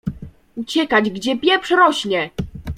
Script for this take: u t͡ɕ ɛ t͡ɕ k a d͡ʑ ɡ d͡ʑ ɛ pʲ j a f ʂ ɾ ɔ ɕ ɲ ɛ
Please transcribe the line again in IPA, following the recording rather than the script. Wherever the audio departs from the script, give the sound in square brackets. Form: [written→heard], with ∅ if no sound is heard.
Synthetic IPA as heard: u t͡ɕ ɛ [t͡ɕ→∅] k a d͡ʑ ɡ d͡ʑ ɛ pʲ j [a→ɛ] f ʂ ɾ ɔ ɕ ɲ ɛ